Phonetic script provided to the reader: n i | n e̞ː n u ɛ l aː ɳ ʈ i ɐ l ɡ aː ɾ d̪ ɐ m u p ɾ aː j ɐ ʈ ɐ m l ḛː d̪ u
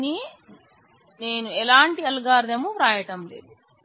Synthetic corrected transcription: n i | n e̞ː n u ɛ l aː ɳ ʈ i ɐ l ɡ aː ɾ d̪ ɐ m u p ɾ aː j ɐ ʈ ɐ m l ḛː d̪ u